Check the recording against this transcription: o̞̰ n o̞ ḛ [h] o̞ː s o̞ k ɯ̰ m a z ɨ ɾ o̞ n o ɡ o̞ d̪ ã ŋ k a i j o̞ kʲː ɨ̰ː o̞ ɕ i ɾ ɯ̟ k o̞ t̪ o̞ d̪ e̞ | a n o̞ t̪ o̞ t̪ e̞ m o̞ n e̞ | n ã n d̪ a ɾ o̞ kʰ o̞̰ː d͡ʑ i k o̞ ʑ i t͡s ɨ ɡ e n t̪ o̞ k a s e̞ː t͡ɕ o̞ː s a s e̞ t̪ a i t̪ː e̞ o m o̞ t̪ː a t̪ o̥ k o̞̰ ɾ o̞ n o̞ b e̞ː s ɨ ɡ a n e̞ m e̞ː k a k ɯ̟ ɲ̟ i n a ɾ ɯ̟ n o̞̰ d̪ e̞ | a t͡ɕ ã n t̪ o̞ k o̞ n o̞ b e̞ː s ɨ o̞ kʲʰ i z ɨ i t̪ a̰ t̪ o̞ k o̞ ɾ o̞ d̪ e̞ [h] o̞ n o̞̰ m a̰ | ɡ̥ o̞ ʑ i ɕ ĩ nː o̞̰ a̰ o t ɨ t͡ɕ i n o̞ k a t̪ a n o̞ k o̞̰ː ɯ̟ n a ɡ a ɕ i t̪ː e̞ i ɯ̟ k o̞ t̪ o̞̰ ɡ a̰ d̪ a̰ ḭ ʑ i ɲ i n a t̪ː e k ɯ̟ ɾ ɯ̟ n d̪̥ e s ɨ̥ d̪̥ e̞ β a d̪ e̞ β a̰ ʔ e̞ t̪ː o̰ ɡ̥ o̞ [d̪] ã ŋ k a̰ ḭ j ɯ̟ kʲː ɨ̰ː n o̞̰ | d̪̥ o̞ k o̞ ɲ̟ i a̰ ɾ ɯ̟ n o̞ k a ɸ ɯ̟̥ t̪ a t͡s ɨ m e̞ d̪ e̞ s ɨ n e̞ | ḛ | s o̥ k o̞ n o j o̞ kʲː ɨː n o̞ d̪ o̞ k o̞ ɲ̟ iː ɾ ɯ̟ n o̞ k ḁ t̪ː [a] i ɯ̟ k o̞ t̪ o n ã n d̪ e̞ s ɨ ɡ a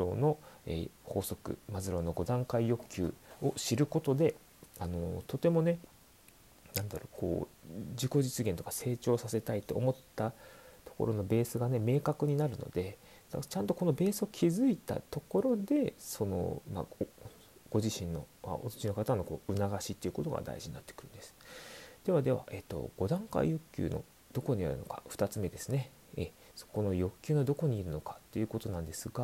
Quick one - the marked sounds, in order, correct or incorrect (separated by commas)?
correct, incorrect, correct, incorrect